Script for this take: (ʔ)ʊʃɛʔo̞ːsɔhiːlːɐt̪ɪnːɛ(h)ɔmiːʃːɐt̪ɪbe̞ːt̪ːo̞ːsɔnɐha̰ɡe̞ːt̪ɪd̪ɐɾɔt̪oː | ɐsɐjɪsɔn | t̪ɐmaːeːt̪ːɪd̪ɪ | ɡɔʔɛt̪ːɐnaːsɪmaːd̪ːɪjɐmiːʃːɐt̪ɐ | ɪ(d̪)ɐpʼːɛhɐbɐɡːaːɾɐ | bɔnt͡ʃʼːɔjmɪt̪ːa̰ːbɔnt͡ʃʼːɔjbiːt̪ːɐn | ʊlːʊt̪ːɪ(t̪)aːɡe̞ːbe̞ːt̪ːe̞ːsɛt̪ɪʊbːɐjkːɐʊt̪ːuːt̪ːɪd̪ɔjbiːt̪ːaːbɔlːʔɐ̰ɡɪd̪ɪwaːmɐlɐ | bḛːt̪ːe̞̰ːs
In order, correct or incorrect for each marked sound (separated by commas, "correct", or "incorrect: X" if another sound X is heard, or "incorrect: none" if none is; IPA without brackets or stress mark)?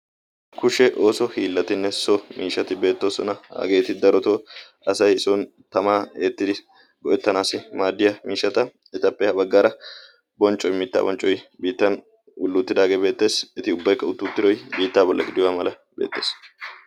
incorrect: k, incorrect: s, incorrect: t̪, incorrect: d̪